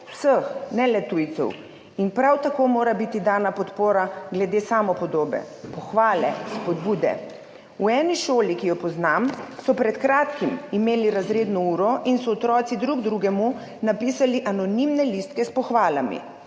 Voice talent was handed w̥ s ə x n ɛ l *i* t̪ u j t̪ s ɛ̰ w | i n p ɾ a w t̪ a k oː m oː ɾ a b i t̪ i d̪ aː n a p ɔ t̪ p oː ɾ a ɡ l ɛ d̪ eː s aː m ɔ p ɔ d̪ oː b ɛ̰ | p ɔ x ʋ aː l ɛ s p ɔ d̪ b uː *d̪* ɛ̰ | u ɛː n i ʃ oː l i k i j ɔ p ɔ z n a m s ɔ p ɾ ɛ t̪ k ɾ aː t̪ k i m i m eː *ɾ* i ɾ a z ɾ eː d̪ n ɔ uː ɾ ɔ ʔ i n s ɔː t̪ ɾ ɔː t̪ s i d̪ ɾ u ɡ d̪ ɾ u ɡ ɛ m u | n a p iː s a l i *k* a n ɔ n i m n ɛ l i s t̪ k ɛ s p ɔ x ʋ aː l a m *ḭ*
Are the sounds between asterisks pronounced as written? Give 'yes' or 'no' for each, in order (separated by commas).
no, yes, no, no, yes